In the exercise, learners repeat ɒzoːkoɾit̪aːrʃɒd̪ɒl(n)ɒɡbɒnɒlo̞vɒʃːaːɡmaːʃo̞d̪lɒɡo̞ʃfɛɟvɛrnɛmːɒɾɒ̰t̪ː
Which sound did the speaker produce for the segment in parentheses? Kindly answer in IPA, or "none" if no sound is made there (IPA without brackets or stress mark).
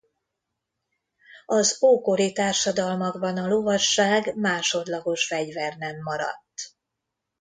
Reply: m